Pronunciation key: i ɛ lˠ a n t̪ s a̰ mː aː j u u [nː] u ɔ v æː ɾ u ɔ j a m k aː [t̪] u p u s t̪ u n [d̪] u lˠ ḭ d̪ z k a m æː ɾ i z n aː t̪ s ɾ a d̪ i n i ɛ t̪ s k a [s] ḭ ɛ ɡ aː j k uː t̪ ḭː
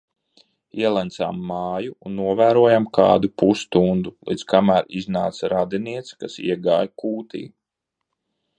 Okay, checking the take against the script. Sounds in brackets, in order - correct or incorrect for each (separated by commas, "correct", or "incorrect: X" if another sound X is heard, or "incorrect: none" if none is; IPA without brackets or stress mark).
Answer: correct, incorrect: d̪, correct, correct